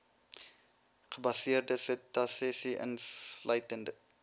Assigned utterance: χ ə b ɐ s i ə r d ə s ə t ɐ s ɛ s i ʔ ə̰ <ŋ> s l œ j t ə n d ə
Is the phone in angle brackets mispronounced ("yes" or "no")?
yes